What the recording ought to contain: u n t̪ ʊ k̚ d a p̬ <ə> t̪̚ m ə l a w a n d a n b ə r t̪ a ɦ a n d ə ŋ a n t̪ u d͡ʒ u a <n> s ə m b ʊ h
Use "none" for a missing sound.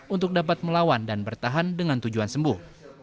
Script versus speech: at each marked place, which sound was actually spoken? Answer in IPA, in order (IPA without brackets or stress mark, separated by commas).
a, n